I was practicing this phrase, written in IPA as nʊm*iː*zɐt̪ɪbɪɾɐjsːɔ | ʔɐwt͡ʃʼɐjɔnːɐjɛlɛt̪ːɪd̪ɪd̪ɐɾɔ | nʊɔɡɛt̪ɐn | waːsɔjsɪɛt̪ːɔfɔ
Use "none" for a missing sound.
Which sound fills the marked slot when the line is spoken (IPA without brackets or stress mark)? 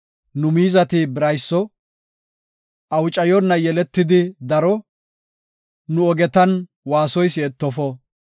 iː